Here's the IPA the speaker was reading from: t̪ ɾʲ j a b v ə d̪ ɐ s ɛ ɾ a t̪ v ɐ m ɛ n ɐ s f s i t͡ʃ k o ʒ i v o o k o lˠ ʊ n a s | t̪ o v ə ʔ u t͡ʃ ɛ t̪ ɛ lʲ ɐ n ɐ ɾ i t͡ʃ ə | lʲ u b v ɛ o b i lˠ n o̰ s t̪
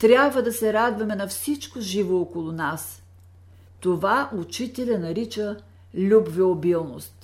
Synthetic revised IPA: t̪ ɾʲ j a b v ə d̪ ɐ s ɛ ɾ a d̪ v ɐ m ɛ n ɐ f s i t͡ʃ k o ʒ i v o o k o lˠ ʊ n a s | t̪ o v a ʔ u t͡ʃ i t̪ ɛ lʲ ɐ n ɐ ɾ i t͡ʃ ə | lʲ u b v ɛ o b i lˠ n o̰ s t̪